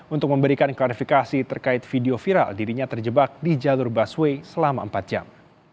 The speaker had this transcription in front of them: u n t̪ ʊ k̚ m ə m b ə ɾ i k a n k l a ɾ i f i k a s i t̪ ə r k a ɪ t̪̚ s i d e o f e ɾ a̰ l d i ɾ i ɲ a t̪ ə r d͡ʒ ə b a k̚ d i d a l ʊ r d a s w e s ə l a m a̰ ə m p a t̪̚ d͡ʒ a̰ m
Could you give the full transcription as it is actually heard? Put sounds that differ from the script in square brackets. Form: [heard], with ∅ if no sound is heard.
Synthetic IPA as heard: u n t̪ ʊ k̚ m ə m b ə ɾ i k a n k l a ɾ i f i k a s i t̪ ə r k a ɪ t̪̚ [f] i d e o f [i] ɾ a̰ l d i ɾ i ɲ a t̪ ə r d͡ʒ ə b a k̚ d i [d͡ʒ] a l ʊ r [b] a s w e s ə l a m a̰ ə m p a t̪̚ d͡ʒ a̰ m

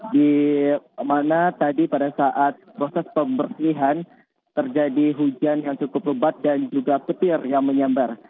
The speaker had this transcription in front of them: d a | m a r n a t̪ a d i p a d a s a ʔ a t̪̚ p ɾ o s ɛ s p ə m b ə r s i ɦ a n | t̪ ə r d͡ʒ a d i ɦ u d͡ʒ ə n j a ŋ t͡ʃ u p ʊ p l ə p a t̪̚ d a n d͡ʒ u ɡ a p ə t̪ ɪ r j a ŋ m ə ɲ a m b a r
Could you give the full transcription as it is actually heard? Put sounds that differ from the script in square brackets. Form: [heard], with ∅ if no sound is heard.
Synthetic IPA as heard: d [i] | m a [∅] n a t̪ a d i p a d a s a ʔ a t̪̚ p ɾ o s ɛ s p ə m b ə r s i ɦ a n | t̪ ə r d͡ʒ a d i ɦ u d͡ʒ [a] n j a ŋ t͡ʃ u [k] ʊ p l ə [b] a t̪̚ d a n d͡ʒ u ɡ a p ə t̪ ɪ r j a ŋ m ə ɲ a m b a r

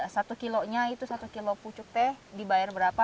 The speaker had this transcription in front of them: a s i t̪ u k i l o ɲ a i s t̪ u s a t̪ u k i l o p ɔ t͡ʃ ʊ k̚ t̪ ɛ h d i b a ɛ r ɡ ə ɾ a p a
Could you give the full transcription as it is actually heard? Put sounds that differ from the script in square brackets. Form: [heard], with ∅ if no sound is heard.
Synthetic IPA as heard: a s [a] t̪ u k i l o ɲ a i [∅] t̪ u s a t̪ u k i l o p [u] t͡ʃ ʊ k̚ t̪ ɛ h d i b a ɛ r [b] ə ɾ a p a

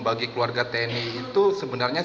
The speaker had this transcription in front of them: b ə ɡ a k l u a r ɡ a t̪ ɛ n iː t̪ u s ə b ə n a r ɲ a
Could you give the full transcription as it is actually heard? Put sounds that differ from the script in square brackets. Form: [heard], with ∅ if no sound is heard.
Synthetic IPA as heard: b [a] ɡ [i] k l u a r ɡ a t̪ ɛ n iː t̪ u s ə b ə n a r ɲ a

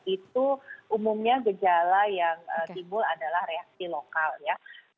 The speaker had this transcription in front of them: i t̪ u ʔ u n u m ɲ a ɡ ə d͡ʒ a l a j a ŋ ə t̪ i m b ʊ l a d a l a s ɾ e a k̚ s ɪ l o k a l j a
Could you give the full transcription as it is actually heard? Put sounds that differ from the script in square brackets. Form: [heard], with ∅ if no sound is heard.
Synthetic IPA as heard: i t̪ u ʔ u [m] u m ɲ a ɡ ə d͡ʒ a l a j a ŋ ə t̪ i m b ʊ l a d a l a [h] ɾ e a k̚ s [i] l o k a l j a

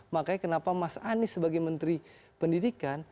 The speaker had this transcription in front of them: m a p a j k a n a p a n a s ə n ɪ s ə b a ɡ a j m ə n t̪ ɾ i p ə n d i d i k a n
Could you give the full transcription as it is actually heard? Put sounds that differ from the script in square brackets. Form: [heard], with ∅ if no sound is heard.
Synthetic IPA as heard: m a [k] a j k [ə] n a p a [m] a s [a] n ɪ s ə b a ɡ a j m ə n t̪ ɾ i p ə n d i d i k a n

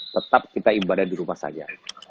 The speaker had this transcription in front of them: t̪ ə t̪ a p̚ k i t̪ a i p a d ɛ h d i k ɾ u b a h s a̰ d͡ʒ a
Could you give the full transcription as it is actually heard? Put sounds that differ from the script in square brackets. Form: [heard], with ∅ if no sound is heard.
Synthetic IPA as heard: t̪ ə t̪ a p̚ k i t̪ a i [b] a d [a] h d i [∅] ɾ u [m] a h s a̰ d͡ʒ a

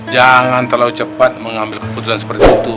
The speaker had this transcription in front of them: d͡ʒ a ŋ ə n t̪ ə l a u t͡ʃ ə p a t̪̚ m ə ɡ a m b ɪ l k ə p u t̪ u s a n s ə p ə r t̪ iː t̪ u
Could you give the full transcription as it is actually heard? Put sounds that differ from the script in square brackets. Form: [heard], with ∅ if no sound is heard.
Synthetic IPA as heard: d͡ʒ a ŋ [a] n t̪ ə l a u t͡ʃ ə p a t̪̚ m ə [ŋ] a m b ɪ l k ə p u t̪ u s a n s ə p ə r t̪ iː t̪ u

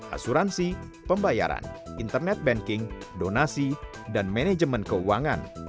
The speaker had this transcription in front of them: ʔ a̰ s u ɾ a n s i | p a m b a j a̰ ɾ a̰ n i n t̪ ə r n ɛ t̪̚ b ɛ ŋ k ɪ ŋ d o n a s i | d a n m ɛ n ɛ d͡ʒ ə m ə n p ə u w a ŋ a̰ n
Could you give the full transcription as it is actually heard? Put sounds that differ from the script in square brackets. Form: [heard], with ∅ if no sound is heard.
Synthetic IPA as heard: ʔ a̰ s u ɾ a n s i | p [ə] m b a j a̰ ɾ a̰ n i n t̪ ə r n ɛ t̪̚ b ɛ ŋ k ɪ ŋ d o n a s i | d a n m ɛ n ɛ d͡ʒ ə m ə n [k] ə u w a ŋ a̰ n

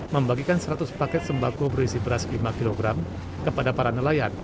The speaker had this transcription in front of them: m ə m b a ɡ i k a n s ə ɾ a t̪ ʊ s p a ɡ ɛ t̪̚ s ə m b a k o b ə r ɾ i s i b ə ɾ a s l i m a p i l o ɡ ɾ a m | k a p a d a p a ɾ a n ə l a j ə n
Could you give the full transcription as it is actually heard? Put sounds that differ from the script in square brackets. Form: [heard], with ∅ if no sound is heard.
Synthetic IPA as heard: m ə m b a ɡ i k a n s ə ɾ a t̪ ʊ s p a [k] ɛ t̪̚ s ə m b a k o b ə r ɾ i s i b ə ɾ a s l i m a [k] i l o ɡ ɾ a m | k [ə] p a d a p a ɾ a n ə l a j [a] n

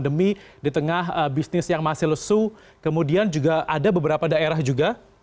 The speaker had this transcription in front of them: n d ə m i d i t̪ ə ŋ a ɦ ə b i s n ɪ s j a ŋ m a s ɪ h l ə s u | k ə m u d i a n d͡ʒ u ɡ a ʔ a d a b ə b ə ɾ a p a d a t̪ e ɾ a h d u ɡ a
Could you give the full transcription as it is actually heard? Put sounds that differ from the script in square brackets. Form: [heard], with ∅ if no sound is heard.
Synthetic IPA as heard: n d ə m i d i t̪ ə ŋ a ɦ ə b i s n ɪ s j a ŋ m a s ɪ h l ə s u | k ə m u d i a n d͡ʒ u ɡ a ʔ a d a b ə b ə ɾ a p a d a [∅] e ɾ a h [d͡ʒ] u ɡ a

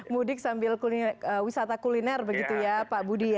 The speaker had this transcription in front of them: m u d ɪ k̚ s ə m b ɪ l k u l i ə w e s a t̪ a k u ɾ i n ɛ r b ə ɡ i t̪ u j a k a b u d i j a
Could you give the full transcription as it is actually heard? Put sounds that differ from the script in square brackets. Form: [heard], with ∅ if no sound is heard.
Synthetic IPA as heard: m u d ɪ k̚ s [a] m b ɪ l k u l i ə w [i] s a t̪ a k u [l] i n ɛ r b ə ɡ i t̪ u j a [p] a b u d i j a

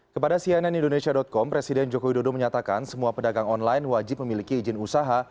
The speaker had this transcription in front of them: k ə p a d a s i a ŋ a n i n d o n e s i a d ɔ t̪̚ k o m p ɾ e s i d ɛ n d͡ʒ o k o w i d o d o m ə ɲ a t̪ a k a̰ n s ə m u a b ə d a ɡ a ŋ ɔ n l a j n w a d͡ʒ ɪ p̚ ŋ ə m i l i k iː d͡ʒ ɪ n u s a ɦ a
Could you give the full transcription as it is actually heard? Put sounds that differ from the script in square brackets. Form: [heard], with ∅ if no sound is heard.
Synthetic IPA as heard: k ə p a d a s i a [n] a n i n d o n e s i a d ɔ t̪̚ k [ɔ] m p ɾ e s i d ɛ n d͡ʒ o k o w i d o d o m ə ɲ a t̪ a k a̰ n s ə m u a [p] ə d a ɡ a ŋ ɔ n l a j n w a d͡ʒ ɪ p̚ [m] ə m i l i k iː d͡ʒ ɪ n u s a ɦ a

